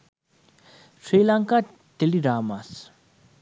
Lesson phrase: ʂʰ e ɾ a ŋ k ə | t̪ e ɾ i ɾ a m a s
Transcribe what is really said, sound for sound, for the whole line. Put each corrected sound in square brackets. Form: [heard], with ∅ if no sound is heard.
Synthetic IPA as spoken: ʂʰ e [l] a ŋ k [a] | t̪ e [l] i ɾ a m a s

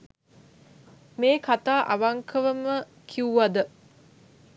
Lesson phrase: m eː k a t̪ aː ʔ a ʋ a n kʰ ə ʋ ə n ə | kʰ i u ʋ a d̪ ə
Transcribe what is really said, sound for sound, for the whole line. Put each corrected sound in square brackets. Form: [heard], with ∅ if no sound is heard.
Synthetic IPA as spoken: m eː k a t̪ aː ʔ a ʋ a [ŋ] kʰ ə ʋ ə [m] ə | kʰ i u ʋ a d̪ ə

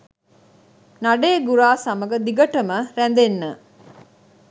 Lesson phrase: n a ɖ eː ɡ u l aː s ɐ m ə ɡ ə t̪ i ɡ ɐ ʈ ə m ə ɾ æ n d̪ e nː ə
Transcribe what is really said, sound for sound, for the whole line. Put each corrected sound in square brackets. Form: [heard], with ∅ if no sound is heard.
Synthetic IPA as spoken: n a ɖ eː ɡ u [ɾ] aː s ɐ m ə ɡ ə [d̪] i ɡ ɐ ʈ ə m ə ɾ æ n d̪ e nː ə

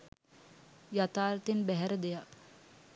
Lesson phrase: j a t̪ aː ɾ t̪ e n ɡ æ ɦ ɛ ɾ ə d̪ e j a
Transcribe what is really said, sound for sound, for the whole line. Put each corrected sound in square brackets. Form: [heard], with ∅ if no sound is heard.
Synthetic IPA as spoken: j a t̪ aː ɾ t̪ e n [b] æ ɦ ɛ ɾ ə d̪ e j a

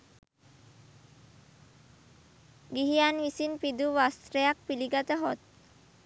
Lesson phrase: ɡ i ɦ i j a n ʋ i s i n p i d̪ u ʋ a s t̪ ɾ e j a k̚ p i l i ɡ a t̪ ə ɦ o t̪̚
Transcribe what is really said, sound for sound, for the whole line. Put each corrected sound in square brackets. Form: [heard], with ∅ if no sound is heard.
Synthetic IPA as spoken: ɡ i ɦ i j a n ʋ i s i n p i d̪ u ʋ a s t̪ ɾ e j a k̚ p i l i ɡ a t̪ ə ɦ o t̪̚

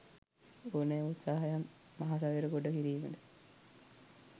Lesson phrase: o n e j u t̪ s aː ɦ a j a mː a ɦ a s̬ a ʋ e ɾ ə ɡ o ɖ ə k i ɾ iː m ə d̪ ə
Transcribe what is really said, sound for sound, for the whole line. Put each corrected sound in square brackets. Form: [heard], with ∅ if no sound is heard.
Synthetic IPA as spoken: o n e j u t̪ s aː ɦ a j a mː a ɦ a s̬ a ʋ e ɾ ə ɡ o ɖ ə k i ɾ iː m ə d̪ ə

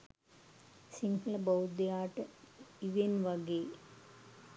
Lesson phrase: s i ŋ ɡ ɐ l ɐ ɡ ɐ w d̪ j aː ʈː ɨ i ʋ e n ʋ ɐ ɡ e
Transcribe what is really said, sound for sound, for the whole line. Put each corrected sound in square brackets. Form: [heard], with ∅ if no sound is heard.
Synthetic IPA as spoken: s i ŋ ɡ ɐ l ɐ [b] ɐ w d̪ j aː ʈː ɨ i ʋ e n ʋ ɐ ɡ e

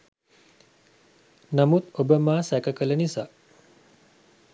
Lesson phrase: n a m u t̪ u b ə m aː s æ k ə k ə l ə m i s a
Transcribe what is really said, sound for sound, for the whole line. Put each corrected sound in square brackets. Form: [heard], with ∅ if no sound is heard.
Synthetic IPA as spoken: n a m u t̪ [o] b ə m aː s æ k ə k ə l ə [n] i s a

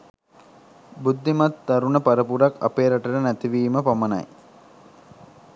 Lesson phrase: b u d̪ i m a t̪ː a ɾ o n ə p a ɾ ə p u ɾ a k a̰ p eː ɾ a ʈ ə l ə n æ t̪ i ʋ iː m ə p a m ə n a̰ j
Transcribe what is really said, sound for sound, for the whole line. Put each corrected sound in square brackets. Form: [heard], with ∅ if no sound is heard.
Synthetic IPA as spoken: b u [d̪ː] i m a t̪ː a ɾ [u] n ə p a ɾ ə p u ɾ a k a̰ p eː ɾ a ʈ ə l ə n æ t̪ i ʋ iː m ə p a m ə n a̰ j

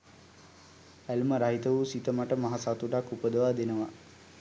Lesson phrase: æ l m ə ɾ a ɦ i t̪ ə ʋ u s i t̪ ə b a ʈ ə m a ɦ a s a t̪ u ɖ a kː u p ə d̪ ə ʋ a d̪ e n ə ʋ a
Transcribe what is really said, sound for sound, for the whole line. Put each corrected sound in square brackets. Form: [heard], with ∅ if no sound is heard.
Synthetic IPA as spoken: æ l m ə ɾ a ɦ i t̪ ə ʋ u s i t̪ ə [m] a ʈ ə m a ɦ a s a t̪ u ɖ a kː u p ə d̪ ə ʋ a d̪ e n ə ʋ a

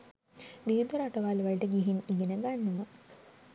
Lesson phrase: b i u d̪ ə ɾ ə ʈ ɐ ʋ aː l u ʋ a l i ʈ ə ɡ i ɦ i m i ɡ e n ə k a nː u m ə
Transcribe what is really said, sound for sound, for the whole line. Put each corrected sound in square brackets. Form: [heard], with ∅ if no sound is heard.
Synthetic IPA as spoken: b i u d̪ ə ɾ [a] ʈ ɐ ʋ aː l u ʋ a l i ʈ ə ɡ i ɦ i [n] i ɡ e n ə [ɡ] a nː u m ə

